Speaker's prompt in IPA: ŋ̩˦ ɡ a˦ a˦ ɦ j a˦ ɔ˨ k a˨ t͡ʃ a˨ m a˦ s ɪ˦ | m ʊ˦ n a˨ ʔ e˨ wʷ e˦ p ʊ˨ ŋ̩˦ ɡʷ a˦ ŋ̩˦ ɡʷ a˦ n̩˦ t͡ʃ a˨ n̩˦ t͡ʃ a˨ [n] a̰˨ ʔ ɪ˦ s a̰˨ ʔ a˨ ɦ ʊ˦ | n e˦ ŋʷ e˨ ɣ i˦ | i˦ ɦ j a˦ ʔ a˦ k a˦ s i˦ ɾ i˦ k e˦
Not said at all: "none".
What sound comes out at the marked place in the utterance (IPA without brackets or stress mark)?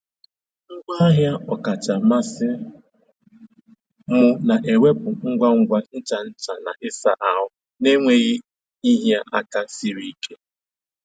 n